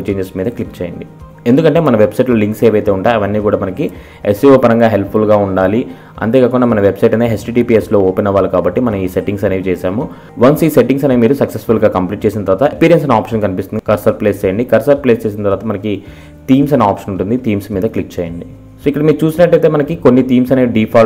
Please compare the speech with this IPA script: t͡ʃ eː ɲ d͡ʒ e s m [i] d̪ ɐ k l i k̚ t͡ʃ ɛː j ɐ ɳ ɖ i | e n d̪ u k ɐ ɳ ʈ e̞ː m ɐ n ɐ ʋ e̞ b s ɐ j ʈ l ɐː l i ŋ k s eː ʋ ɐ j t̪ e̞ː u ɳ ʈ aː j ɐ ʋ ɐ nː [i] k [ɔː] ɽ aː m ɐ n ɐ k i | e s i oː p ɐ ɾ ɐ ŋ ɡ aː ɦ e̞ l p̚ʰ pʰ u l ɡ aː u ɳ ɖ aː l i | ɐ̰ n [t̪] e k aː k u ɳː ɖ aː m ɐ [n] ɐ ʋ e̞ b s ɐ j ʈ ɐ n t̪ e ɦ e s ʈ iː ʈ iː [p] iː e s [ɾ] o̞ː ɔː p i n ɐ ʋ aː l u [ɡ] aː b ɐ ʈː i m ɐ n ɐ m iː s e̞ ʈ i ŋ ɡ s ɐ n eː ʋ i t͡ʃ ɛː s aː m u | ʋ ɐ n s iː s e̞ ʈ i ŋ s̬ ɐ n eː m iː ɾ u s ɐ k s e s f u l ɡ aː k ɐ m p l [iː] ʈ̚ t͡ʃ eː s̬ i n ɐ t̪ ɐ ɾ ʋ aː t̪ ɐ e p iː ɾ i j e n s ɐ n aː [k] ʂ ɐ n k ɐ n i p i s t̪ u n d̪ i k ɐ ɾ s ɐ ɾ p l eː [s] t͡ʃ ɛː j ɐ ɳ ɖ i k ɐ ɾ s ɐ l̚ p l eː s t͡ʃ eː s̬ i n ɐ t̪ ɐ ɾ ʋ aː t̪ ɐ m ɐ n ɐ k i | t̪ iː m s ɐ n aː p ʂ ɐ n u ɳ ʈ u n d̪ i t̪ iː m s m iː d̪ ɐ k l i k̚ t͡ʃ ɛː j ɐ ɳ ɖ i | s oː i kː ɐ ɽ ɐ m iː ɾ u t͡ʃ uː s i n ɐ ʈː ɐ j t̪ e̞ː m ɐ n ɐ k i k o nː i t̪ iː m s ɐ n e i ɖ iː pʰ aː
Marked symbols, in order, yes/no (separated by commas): no, no, no, yes, yes, yes, no, no, yes, no, yes